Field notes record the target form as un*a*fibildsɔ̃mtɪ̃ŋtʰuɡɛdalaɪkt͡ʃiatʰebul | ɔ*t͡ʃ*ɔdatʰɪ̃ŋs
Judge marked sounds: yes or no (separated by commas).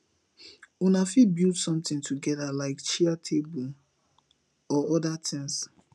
yes, no